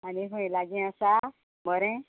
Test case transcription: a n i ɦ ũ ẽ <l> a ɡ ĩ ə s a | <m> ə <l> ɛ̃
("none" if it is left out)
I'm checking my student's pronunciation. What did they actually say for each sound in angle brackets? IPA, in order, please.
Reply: l, m, ɾ

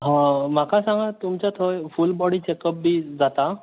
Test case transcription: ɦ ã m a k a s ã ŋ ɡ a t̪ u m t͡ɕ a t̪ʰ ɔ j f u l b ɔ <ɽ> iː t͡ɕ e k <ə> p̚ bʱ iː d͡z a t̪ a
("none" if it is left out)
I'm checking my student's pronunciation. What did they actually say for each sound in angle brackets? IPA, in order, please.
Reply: ɽ, ə

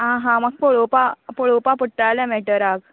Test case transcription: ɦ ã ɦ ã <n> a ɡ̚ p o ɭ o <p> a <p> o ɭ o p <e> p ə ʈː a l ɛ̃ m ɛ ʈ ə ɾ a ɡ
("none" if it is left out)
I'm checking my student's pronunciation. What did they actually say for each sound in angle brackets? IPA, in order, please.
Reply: m, p, p, a

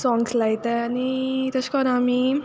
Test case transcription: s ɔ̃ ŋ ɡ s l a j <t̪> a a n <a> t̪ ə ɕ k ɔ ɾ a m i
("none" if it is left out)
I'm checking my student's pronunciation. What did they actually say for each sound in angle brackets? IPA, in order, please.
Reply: t̪, i

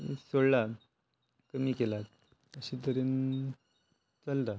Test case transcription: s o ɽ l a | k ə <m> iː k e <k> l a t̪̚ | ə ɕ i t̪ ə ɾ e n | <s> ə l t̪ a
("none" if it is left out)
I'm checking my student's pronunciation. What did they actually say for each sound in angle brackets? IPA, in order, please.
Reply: m, none, t͡s

